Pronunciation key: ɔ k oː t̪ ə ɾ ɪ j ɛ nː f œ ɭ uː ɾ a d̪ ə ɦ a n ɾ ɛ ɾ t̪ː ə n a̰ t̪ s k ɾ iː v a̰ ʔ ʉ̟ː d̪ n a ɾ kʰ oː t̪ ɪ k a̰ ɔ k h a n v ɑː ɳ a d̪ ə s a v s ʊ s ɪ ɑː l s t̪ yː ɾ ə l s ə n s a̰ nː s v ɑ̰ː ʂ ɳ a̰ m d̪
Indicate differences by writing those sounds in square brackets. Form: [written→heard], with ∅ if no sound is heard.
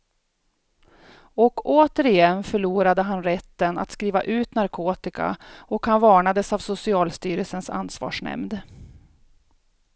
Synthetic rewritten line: ɔ k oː t̪ ə ɾ ɪ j ɛ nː f œ ɭ uː ɾ a d̪ ə ɦ a n ɾ ɛ [ɾ→∅] t̪ː ə n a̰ t̪ s k ɾ iː v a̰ ʔ ʉ̟ː [d̪→t̪] n a ɾ kʰ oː t̪ ɪ k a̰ ɔ k h a n v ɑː ɳ a d̪ ə s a v s ʊ s ɪ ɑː l s t̪ yː ɾ ə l s ə n s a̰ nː s v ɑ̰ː ʂ ɳ [a̰→ɛ̰] m d̪